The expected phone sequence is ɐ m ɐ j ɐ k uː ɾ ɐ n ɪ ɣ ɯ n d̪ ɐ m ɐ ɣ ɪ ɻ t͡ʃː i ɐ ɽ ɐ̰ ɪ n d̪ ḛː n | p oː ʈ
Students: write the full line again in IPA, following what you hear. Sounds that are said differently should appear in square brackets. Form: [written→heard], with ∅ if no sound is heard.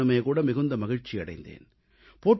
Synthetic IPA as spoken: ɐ m ɐ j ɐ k uː [ɾ→ɽ] ɐ [n→m] ɪ ɣ ɯ n d̪ ɐ m ɐ ɣ ɪ ɻ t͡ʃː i ɐ ɽ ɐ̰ ɪ n d̪ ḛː n | p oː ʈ